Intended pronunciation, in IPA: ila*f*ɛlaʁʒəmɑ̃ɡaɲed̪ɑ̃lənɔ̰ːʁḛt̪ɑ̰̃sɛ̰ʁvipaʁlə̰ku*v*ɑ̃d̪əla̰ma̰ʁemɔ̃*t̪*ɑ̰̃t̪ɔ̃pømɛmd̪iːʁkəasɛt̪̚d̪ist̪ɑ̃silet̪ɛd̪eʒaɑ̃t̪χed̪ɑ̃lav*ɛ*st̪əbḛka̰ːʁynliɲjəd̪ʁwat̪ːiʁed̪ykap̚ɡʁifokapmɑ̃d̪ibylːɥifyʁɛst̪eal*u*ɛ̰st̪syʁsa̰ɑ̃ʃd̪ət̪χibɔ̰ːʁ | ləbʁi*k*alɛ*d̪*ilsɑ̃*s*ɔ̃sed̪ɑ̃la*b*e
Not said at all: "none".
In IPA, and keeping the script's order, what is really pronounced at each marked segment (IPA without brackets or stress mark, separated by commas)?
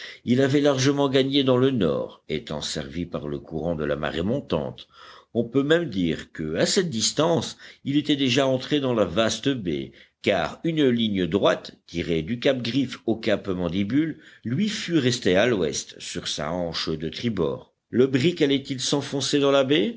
v, ʁ, t̪, a, w, k, t̪, f, b